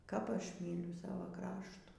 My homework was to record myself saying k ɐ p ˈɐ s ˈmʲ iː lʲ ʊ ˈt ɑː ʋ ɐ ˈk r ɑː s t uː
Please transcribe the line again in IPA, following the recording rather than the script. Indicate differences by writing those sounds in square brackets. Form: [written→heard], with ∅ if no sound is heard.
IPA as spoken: k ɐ p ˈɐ [s→ʃ] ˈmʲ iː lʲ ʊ [ˈt→ˈs] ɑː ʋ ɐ ˈk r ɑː [s→ʃ] t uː

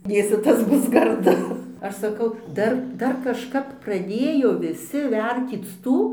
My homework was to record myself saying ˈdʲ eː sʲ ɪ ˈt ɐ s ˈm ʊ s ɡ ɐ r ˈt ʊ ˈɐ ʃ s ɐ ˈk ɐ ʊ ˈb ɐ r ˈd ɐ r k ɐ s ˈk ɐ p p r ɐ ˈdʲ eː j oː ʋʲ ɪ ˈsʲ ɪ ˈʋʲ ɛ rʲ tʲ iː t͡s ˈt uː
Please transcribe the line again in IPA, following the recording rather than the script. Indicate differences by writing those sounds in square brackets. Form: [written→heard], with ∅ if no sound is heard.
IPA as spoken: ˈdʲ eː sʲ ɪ ˈt ɐ s [ˈm→ˈb] ʊ s ɡ ɐ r [ˈt→ˈd] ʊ ˈɐ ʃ s ɐ ˈk ɐ ʊ [ˈb→ˈd] ɐ r ˈd ɐ r k ɐ [s→ʃ] ˈk ɐ p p r ɐ ˈdʲ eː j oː ʋʲ ɪ ˈsʲ ɪ ˈʋʲ ɛ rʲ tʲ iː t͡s ˈt uː

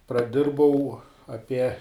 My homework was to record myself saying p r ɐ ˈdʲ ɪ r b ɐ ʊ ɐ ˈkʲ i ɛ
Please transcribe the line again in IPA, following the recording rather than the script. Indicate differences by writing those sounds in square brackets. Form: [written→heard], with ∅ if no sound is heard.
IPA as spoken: p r ɐ ˈdʲ ɪ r b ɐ ʊ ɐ [ˈkʲ→ˈpʲ] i ɛ

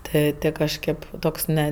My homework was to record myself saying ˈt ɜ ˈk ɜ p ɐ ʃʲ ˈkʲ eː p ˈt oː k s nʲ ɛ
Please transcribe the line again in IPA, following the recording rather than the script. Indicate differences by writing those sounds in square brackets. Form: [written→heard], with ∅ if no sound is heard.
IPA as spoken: ˈt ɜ [ˈk→ˈt] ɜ [p→k] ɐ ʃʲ ˈkʲ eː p ˈt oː k s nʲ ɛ

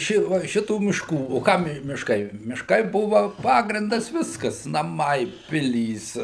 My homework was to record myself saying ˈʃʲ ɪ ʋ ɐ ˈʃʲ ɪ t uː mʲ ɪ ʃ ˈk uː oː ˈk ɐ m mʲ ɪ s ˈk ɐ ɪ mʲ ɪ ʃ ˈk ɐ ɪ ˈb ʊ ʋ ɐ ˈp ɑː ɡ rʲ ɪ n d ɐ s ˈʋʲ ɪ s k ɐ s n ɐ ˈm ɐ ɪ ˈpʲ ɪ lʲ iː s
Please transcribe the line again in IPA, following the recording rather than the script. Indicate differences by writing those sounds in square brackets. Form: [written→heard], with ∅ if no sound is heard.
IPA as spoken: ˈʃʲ ɪ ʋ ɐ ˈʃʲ ɪ t uː mʲ ɪ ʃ ˈk uː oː ˈk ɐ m mʲ ɪ [s→ʃ] ˈk ɐ ɪ mʲ ɪ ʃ ˈk ɐ ɪ ˈb ʊ ʋ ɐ ˈp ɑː ɡ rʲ ɪ n d ɐ s ˈʋʲ ɪ s k ɐ s n ɐ ˈm ɐ ɪ ˈpʲ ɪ lʲ iː s

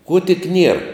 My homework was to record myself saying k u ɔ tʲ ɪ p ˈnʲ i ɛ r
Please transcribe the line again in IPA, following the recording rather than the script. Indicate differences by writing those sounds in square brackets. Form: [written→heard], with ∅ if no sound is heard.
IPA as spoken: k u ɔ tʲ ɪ [p→k] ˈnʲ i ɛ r

